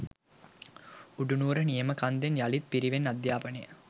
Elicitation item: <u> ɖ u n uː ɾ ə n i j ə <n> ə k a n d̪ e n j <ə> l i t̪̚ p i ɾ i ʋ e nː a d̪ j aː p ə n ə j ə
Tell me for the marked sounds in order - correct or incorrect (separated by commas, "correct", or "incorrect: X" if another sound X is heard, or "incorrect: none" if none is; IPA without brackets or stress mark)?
correct, incorrect: m, incorrect: a